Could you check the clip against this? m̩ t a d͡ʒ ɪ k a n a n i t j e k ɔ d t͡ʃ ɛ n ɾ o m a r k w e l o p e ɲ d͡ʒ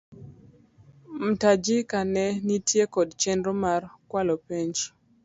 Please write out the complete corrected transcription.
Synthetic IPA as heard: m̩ t a d͡ʒ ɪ k a n ɛ n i t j e k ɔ d t͡ʃ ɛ n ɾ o m a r k w a l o p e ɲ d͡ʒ